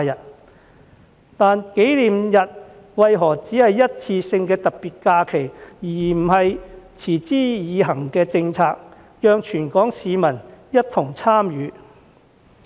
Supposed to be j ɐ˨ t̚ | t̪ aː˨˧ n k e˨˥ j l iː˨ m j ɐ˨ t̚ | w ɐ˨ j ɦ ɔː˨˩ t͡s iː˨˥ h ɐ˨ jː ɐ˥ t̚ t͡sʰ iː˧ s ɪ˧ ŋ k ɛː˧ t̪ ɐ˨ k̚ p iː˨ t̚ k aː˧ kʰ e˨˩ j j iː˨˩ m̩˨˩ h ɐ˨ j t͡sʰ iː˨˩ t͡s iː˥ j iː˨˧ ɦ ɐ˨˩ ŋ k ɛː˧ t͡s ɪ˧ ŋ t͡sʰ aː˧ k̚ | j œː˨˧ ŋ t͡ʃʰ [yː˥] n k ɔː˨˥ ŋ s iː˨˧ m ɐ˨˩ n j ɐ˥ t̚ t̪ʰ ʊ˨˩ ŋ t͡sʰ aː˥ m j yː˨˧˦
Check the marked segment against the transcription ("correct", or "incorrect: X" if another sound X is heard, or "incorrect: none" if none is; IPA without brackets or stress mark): incorrect: yː˨˩